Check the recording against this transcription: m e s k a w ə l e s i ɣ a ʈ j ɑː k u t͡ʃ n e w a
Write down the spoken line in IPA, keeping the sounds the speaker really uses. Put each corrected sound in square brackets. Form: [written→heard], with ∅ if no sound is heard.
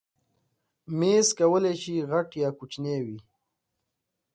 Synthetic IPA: m e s k a w ə l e [s→ʃ] i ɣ a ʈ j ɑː k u t͡ʃ n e w [a→i]

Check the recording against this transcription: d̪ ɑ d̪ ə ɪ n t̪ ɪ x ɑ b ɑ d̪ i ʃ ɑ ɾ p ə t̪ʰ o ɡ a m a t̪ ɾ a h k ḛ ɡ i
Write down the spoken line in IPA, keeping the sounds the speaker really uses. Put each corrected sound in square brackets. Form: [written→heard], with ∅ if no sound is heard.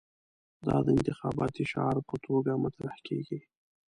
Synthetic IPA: d̪ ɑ d̪ ə ɪ n t̪ ɪ x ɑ b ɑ [d̪→t̪] i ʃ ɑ ɾ p ə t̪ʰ o ɡ a m a t̪ ɾ a h k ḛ ɡ i

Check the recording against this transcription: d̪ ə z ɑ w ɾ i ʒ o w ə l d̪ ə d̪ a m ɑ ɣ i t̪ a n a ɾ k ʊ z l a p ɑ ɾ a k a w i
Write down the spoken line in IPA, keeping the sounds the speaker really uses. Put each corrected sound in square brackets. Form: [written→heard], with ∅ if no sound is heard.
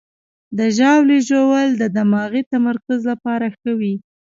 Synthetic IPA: d̪ ə [z→ʒ] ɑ w [ɾ→l] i ʒ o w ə l d̪ ə d̪ a m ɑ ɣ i t̪ a [n→m] a ɾ k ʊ z l a p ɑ ɾ a [k→x] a w i

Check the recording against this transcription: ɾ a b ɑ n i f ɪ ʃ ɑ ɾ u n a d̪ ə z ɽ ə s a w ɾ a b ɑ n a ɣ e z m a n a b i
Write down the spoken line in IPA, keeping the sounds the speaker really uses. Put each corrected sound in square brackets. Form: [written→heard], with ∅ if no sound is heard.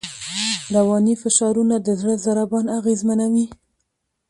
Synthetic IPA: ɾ a [b→w] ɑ n i f ɪ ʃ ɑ ɾ u n a d̪ ə z ɽ ə [s→z] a [w→∅] ɾ a b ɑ n a ɣ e z m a n a [b→w] i

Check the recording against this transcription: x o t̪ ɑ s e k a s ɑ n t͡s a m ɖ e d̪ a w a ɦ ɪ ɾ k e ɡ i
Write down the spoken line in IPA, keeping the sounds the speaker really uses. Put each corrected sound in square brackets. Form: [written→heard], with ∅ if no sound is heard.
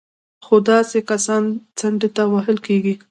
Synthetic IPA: x o [t̪→d̪] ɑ s e k a s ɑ n t͡s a [m→ɳ] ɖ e [d̪→t̪] a w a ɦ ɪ [ɾ→l] k e ɡ i

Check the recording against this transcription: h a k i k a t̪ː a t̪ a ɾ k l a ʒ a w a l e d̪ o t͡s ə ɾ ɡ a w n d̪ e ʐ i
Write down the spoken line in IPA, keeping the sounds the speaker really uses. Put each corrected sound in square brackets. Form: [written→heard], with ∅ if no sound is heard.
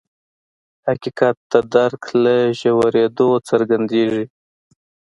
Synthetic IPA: h a k i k a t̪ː a [t̪→d̪] a ɾ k l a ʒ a w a [l→ɾ] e d̪ o t͡s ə ɾ ɡ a [w→∅] n d̪ e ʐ i

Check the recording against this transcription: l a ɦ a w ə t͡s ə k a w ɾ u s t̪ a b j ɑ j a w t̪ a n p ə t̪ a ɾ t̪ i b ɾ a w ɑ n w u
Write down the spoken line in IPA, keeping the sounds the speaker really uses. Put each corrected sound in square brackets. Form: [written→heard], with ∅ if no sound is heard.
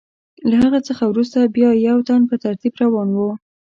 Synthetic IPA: l a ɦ a [w→ɣ] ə t͡s ə [k→x] a w ɾ u s t̪ a b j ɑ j a w t̪ a n p ə t̪ a ɾ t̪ i b ɾ a w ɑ n w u

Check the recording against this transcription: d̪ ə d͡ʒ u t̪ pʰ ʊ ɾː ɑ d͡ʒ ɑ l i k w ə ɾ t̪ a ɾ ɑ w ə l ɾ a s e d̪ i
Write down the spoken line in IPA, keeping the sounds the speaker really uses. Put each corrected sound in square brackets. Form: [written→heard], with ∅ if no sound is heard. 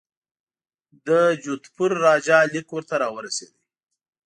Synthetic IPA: d̪ ə d͡ʒ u t̪ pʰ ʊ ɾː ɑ d͡ʒ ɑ l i k w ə ɾ t̪ a ɾ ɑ w ə [l→∅] ɾ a s e d̪ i

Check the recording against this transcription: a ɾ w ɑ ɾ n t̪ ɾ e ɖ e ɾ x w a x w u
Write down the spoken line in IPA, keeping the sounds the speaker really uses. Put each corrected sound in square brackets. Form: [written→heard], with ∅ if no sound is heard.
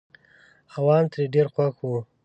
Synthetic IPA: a [ɾ→∅] w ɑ [ɾ→∅] n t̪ ɾ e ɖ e ɾ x w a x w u

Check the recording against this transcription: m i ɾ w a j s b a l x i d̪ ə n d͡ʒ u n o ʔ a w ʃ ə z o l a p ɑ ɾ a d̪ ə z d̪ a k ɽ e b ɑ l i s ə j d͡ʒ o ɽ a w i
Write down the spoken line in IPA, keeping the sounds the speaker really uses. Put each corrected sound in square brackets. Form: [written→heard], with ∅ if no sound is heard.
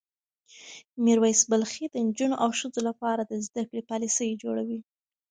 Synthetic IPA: m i ɾ w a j s b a l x i d̪ ə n d͡ʒ u n o ʔ a w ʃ ə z o l a p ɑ ɾ a d̪ ə z d̪ a k ɽ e [b→p] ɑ l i s ə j d͡ʒ o ɽ a w i

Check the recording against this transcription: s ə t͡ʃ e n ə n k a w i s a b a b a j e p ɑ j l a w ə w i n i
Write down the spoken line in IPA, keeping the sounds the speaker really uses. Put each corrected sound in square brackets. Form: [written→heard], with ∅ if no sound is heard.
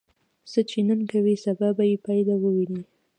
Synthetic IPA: s ə t͡ʃ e n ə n k a w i s a b a b a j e p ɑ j l a w ə w i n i

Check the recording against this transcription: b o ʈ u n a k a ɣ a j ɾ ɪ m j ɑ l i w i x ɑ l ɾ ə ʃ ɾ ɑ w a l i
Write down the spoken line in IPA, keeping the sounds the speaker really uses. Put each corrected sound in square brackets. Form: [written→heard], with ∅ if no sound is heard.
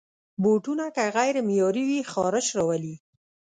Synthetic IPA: b o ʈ u n a k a ɣ a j ɾ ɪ m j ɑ [l→ɾ] i w i x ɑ [l→∅] ɾ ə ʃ ɾ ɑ w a l i

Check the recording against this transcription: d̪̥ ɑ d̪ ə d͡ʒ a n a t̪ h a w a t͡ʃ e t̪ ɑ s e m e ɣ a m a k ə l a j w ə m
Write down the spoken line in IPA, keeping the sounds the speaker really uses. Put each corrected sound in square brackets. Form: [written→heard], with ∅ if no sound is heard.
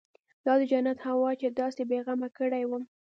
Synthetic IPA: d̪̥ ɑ d̪ ə d͡ʒ a n a t̪ h a w [a→ɑ] t͡ʃ e [t̪→d̪] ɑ s e [m→b] e ɣ a m a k ə [l→ɽ] a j w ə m

